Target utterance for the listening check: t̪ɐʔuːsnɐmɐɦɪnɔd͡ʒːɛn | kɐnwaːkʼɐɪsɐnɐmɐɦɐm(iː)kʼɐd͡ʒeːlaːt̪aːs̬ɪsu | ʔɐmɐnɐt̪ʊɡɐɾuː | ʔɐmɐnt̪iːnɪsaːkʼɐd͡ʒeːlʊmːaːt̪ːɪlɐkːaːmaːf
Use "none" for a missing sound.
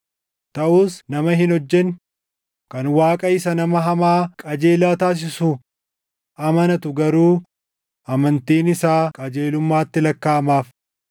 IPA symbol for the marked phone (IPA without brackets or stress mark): aː